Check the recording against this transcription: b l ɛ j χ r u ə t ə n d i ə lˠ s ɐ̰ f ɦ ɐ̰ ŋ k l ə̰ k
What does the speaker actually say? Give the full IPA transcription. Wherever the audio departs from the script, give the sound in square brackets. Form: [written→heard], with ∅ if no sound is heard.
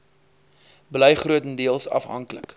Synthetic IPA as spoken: b l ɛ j χ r u ə t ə n d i ə lˠ s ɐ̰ f ɦ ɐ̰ ŋ k l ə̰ k